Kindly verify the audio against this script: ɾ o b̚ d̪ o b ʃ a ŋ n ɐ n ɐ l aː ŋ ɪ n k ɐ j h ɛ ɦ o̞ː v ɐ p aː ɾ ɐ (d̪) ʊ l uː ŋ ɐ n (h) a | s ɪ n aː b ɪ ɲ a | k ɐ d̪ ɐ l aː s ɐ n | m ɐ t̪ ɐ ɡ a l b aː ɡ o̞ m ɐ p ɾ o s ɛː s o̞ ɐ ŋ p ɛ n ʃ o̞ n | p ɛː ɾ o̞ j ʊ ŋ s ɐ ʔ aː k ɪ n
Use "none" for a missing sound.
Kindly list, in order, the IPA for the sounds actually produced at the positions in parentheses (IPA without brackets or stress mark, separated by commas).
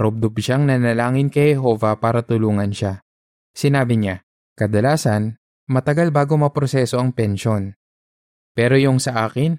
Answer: t̪, ʃ